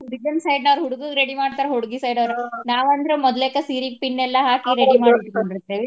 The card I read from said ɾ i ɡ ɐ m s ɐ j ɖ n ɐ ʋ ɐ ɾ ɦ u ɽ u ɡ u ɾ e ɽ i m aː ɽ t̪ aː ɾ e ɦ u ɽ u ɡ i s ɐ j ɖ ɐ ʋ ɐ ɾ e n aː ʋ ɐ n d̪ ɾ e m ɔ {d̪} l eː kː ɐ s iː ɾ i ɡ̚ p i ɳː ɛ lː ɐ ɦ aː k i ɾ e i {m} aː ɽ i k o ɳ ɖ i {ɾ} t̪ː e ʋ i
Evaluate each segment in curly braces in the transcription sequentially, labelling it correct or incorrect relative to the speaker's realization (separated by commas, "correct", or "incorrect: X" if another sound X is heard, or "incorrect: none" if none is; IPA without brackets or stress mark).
correct, correct, correct